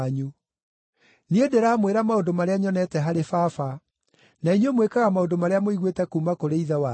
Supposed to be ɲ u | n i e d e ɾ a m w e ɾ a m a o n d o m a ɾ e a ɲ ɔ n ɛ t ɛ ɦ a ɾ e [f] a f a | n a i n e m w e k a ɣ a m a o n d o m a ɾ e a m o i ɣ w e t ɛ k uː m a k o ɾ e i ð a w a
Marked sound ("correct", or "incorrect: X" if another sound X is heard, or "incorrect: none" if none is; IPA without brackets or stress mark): correct